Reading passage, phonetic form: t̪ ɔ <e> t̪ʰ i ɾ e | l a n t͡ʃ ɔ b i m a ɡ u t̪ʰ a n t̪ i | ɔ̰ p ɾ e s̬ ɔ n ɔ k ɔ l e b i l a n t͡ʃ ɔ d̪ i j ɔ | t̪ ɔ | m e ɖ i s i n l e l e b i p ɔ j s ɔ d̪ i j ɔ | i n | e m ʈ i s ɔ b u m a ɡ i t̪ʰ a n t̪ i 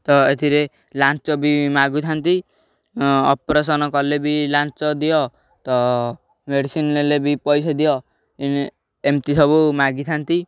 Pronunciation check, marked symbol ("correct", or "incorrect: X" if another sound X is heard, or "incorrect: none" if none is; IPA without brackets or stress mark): correct